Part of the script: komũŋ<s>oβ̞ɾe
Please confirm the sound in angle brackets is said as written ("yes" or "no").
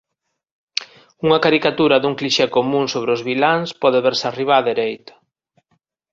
yes